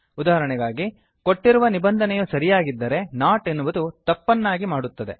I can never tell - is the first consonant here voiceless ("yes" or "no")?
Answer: no